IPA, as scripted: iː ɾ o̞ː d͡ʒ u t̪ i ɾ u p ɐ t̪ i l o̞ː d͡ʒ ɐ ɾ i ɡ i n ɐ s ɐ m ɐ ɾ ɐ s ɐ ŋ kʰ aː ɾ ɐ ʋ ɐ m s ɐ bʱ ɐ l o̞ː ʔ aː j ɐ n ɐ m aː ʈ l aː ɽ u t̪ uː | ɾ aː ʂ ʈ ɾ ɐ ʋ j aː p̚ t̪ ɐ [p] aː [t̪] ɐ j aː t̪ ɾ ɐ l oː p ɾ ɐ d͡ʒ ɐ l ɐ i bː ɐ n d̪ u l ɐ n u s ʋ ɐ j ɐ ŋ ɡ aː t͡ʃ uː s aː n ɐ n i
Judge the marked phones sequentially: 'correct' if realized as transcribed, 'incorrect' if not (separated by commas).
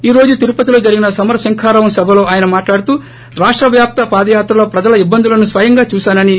correct, incorrect